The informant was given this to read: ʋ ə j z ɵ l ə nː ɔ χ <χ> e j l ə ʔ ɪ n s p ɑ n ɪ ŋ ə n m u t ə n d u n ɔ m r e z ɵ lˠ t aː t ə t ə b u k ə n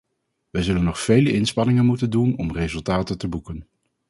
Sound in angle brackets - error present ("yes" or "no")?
yes